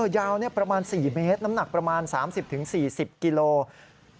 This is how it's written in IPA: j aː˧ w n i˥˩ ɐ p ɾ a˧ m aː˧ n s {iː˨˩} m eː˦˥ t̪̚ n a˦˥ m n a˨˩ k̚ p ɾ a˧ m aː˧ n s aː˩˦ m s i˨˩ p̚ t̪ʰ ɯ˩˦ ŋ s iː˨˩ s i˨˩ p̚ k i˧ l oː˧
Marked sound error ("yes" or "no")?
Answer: no